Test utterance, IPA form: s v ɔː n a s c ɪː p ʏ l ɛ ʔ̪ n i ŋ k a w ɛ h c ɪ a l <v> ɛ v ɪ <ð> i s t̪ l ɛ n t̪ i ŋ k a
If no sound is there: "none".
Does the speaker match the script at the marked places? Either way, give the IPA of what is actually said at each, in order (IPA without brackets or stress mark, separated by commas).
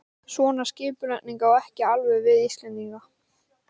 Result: v, ð